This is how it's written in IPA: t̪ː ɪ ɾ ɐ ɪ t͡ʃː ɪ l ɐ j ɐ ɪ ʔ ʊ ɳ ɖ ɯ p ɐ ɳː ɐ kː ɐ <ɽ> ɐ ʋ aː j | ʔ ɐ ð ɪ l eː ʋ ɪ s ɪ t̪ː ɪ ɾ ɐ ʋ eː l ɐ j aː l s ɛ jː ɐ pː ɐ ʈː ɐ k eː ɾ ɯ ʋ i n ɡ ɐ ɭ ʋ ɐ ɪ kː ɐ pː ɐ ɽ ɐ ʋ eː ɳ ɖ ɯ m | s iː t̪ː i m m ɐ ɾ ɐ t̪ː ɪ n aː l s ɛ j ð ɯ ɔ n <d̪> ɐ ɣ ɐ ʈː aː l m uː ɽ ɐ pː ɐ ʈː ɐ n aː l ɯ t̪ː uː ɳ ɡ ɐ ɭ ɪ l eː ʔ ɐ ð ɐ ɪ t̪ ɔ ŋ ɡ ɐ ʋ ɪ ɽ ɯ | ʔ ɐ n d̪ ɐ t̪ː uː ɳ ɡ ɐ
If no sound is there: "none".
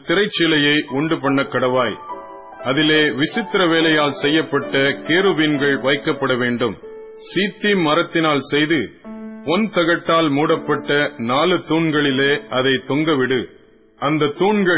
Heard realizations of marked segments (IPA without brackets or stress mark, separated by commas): ɽ, t̪